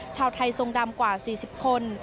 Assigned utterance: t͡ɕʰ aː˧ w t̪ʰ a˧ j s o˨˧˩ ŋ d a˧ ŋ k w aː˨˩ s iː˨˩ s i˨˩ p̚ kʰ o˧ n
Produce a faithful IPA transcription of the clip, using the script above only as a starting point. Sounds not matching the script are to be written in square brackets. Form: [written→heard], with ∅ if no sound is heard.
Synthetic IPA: t͡ɕʰ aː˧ w t̪ʰ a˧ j s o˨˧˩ ŋ d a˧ [ŋ→m] k w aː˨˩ s iː˨˩ s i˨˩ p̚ kʰ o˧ n